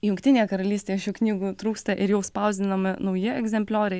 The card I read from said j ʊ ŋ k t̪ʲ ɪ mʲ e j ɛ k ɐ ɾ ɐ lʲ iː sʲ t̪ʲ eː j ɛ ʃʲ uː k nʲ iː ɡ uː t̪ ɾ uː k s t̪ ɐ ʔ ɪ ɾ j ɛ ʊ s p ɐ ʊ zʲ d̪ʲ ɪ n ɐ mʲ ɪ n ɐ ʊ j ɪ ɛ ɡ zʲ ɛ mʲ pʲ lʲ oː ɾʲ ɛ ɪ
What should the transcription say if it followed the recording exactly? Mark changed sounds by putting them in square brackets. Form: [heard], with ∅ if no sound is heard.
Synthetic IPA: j ʊ ŋ k t̪ʲ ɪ [nʲ] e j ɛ k ɐ ɾ ɐ lʲ iː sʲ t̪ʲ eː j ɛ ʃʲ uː k nʲ iː ɡ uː t̪ ɾ uː k s t̪ ɐ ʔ ɪ ɾ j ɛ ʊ s p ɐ ʊ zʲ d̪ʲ ɪ n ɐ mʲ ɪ n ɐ ʊ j ɪ ɛ ɡ zʲ ɛ mʲ pʲ lʲ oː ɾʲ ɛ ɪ